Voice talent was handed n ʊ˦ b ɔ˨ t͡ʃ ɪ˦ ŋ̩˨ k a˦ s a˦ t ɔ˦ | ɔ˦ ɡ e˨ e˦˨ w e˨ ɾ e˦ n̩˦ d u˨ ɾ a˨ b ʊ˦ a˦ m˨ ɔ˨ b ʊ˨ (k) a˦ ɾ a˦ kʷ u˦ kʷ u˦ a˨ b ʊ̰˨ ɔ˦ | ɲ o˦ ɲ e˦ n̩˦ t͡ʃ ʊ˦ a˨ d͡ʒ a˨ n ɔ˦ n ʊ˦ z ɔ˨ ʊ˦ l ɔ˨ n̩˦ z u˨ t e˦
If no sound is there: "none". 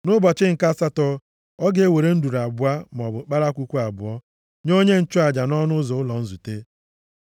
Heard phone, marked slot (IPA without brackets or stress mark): k͡p